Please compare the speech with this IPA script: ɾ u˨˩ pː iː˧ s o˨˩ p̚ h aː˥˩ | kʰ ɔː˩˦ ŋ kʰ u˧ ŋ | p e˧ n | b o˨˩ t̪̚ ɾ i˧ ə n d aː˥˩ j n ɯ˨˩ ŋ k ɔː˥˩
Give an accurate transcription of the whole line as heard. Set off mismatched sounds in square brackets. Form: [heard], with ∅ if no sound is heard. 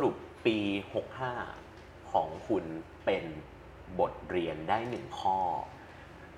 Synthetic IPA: ɾ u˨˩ pː iː˧ [h] o˨˩ [k̚] h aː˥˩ | kʰ ɔː˩˦ ŋ kʰ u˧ [n] | p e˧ n | b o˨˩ t̪̚ ɾ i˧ ə n d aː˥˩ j n ɯ˨˩ ŋ [kʰ] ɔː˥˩